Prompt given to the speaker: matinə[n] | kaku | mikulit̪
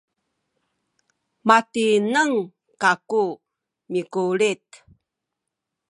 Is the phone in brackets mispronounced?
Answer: yes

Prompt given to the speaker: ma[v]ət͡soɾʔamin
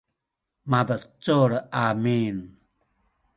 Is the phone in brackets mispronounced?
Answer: yes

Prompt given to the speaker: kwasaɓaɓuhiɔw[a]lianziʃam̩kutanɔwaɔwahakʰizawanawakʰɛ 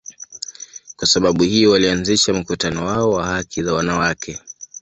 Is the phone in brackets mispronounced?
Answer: no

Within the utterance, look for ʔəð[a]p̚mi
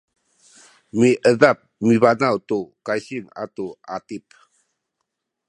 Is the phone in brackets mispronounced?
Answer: no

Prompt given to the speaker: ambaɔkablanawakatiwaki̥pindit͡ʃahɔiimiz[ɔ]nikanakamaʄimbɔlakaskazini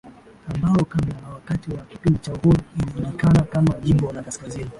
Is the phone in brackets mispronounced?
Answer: yes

